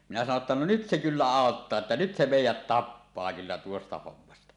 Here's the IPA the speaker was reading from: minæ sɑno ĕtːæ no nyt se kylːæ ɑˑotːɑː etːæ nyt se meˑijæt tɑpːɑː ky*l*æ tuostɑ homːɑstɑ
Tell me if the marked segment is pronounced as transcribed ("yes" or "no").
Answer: no